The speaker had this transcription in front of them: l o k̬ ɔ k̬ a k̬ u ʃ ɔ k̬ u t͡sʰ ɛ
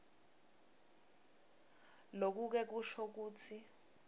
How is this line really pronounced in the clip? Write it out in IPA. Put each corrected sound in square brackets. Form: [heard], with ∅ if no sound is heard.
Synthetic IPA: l o k̬ [u] k̬ [ɛ] k̬ u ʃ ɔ k̬ [uː] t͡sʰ [i]